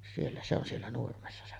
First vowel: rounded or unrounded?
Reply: unrounded